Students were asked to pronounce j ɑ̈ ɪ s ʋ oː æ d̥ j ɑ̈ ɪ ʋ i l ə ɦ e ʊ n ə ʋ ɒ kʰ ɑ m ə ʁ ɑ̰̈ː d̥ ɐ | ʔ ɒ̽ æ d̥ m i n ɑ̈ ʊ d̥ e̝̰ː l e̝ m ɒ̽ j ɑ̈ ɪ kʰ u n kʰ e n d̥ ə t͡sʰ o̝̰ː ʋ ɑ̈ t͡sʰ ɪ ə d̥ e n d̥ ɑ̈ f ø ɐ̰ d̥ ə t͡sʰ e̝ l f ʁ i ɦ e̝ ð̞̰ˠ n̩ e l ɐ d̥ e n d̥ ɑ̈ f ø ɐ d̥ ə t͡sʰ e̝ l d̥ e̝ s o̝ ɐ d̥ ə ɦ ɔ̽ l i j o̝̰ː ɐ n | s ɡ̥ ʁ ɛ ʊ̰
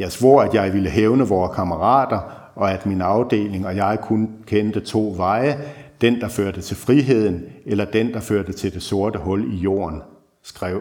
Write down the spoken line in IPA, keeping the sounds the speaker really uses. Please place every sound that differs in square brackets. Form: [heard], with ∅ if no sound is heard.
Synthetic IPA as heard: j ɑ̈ ɪ s ʋ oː æ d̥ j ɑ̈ ɪ ʋ i l ə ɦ e ʊ n ə ʋ [ɒː] kʰ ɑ m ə ʁ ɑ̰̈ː d̥ ɐ | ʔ ɒ̽ æ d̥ m i n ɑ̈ ʊ d̥ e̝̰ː l e̝ [ŋ] ɒ̽ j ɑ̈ ɪ kʰ u n kʰ e n d̥ ə t͡sʰ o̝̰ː ʋ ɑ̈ [∅] ɪ ə d̥ e n d̥ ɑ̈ f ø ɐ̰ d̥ ə t͡sʰ e̝ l f ʁ i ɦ e̝ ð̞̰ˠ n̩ e l ɐ d̥ e n d̥ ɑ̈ f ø ɐ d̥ ə t͡sʰ e̝ l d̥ e̝ s o̝ ɐ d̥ ə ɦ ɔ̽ l i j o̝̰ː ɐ n | s ɡ̥ ʁ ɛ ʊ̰